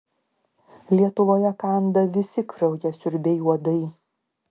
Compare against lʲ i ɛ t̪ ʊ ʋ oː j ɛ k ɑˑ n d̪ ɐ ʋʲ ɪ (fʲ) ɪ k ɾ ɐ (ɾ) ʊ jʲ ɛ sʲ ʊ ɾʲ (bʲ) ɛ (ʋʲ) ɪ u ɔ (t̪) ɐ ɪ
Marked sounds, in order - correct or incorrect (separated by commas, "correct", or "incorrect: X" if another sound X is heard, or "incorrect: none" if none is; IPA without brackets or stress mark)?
incorrect: sʲ, incorrect: none, correct, incorrect: none, incorrect: d̪